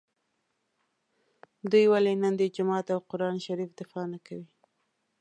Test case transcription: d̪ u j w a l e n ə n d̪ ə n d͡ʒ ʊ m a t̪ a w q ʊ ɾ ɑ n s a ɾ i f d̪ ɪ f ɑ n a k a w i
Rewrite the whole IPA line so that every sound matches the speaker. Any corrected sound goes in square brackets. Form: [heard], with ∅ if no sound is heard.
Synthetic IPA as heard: d̪ u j w a l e n ə n d̪ ə [∅] d͡ʒ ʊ m [ɑ] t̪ a w q ʊ ɾ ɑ n [ʃ] a ɾ i f d̪ ɪ f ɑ n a k a w i